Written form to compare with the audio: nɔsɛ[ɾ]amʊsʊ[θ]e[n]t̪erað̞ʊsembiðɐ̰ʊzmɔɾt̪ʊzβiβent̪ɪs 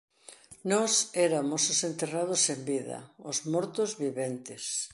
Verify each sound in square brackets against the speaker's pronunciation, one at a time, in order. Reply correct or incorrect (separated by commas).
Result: correct, incorrect, correct